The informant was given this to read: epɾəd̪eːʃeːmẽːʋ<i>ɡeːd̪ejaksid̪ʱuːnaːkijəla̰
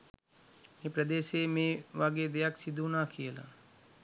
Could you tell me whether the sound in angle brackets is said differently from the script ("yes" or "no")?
yes